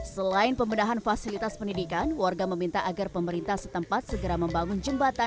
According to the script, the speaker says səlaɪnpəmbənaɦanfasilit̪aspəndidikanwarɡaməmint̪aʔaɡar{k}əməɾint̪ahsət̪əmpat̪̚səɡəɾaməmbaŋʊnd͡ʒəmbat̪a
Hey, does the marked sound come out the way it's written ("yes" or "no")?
no